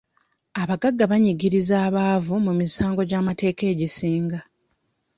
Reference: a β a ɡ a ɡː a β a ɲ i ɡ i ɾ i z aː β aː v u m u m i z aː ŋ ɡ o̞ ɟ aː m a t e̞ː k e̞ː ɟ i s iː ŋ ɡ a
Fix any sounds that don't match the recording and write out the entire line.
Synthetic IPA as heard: a β a ɡ a ɡː a β a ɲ i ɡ i ɾ i z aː β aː v u m u m i s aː ŋ ɡ o̞ ɟ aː m a t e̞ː k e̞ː ɟ i s iː ŋ ɡ a